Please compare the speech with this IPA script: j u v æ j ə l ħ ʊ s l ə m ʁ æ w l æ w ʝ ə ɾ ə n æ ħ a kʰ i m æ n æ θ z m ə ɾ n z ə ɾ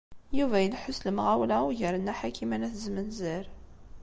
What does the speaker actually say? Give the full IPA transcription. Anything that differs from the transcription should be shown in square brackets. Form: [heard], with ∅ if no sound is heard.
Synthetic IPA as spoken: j u v æ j ə l ħ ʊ s l ə m ʁ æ w l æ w ʝ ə ɾ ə n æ ħ a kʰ i m æ n æ θ z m ə [∅] n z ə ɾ